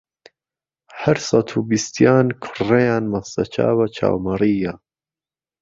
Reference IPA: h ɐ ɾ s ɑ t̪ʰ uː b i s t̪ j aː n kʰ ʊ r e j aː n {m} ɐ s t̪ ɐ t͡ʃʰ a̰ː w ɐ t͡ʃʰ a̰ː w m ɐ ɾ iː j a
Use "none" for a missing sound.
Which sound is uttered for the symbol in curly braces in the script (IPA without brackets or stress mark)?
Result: m